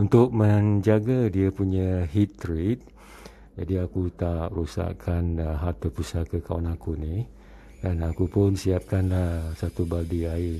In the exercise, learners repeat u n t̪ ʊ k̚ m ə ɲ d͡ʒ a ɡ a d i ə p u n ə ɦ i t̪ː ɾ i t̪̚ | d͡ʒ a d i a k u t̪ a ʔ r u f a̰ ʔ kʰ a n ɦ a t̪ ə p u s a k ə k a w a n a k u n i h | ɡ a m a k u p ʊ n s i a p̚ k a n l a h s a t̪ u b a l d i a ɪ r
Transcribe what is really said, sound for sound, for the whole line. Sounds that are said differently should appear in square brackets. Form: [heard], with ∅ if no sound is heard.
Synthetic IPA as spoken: u n t̪ ʊ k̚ m ə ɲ d͡ʒ a ɡ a d i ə p u [ɲ] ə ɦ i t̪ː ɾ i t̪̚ | d͡ʒ a d i a k u t̪ a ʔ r u [s] a̰ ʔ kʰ a n ɦ a t̪ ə p u s a k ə k a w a n a k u n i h | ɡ a [n] a k u p ʊ n s i a p̚ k a n l a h s a t̪ u b a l d i a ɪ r